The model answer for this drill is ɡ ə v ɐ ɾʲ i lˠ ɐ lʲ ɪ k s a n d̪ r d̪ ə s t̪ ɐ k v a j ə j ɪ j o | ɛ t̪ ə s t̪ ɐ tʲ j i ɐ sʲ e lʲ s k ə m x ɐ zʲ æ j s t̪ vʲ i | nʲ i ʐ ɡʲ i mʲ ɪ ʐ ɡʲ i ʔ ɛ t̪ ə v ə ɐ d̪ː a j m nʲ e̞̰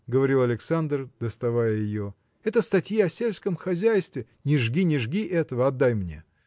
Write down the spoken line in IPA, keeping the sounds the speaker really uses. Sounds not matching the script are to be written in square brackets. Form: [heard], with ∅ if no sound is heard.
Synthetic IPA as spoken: ɡ ə v ɐ ɾʲ i lˠ ɐ lʲ ɪ k s a n d̪ r d̪ ə s t̪ ɐ [∅] v a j ə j ɪ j o | ɛ t̪ ə s t̪ ɐ tʲ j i ɐ sʲ e lʲ s k ə m x ɐ zʲ æ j s t̪ vʲ [ɪ] | nʲ [ɪ] ʐ ɡʲ i [nʲ] ɪ ʐ ɡʲ i ʔ ɛ t̪ ə v ə ɐ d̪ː a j m nʲ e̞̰